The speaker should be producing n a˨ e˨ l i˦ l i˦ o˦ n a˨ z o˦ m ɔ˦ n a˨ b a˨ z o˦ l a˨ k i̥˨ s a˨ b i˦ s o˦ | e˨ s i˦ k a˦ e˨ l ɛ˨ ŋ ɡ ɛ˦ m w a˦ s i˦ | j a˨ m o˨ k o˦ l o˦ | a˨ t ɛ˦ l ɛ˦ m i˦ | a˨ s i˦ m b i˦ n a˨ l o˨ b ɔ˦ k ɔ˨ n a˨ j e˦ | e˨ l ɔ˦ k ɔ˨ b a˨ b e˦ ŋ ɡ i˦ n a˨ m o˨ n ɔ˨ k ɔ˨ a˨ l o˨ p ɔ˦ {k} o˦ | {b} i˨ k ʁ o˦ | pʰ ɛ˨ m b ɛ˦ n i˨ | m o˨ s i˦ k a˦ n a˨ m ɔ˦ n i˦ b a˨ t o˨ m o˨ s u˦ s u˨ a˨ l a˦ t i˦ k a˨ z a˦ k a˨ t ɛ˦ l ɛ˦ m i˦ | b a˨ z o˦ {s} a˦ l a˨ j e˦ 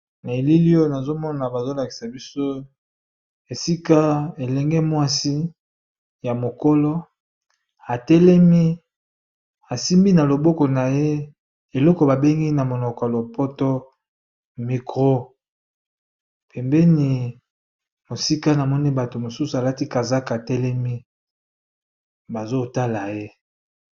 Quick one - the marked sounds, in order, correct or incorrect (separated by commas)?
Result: incorrect, incorrect, incorrect